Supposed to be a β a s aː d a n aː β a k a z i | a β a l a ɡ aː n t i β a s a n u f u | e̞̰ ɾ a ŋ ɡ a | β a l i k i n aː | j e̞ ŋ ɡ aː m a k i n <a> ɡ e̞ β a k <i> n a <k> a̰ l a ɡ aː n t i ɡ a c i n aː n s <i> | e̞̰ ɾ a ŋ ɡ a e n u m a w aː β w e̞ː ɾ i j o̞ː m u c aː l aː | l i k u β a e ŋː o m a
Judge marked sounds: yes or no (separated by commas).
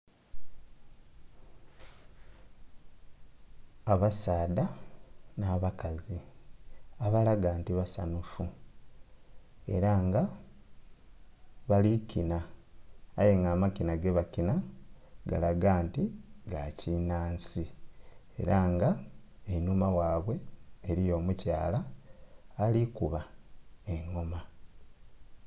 yes, yes, no, yes